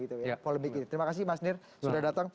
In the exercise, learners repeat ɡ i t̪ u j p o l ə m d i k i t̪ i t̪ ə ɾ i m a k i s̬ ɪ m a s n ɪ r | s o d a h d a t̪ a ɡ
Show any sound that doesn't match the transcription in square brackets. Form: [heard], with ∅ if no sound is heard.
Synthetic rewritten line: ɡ i t̪ u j p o l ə m [b] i k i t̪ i t̪ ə ɾ i m a k [a] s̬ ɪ m a s n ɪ r | s [u] d a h d a t̪ a [ŋ]